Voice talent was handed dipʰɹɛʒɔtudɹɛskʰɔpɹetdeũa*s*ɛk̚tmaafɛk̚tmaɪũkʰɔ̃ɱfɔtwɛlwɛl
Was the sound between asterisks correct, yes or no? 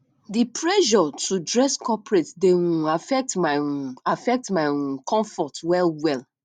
no